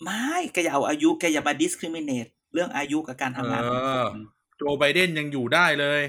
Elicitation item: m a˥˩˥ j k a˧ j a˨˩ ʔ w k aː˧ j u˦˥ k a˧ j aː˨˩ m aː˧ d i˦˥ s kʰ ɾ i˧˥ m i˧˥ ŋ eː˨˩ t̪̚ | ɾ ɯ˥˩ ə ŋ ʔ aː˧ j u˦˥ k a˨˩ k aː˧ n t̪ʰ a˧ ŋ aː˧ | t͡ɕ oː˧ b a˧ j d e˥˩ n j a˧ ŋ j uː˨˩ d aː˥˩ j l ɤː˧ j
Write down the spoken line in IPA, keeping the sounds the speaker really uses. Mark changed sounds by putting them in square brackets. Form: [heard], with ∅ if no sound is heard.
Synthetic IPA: m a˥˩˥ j k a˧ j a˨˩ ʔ w [ʔ] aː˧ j u˦˥ k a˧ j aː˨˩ m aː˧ d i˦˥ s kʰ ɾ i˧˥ m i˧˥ [n] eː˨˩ t̪̚ | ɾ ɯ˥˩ ə ŋ ʔ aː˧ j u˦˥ k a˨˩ k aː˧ n t̪ʰ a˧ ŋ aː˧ | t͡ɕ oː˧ b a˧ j d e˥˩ n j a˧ ŋ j uː˨˩ d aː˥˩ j l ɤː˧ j